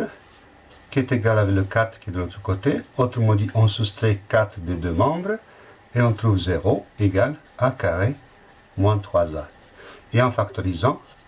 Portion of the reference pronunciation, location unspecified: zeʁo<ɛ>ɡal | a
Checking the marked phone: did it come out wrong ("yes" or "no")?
yes